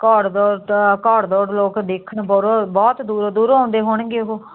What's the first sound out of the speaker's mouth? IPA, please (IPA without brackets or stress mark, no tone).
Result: k